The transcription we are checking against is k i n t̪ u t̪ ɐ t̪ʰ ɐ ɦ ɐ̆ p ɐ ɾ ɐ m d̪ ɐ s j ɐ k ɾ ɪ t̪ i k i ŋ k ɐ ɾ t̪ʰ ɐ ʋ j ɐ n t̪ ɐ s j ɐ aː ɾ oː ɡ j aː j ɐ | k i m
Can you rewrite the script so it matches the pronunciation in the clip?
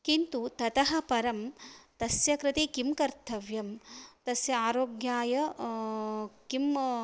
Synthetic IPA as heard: k i n t̪ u t̪ ɐ t̪ ɐ ɦ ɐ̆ p ɐ ɾ ɐ m t̪ ɐ s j ɐ k ɾ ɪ t̪ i k i m k ɐ ɾ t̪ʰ ɐ ʋ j ɐ m t̪ ɐ s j ɐ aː ɾ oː ɡ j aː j ɐ | k i m